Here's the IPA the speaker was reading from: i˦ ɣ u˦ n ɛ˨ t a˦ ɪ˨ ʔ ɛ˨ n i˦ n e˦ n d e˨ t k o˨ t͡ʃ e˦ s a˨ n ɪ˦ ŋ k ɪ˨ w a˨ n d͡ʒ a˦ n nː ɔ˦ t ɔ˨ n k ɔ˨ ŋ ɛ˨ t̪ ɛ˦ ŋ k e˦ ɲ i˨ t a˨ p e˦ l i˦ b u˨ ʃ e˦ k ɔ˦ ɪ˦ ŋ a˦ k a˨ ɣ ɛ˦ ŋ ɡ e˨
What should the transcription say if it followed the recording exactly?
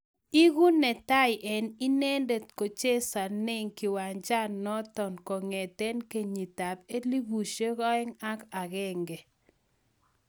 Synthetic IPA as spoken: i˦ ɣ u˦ n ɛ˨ t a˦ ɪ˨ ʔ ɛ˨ n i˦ n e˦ n d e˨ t k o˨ t͡ʃ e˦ s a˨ n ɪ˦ ŋ k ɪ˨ w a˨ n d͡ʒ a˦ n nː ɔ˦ t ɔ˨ n k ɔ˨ ŋ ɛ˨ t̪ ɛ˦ n k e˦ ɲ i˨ t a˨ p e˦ l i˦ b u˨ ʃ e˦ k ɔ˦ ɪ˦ ŋ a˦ k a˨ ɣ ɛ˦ ŋ ɡ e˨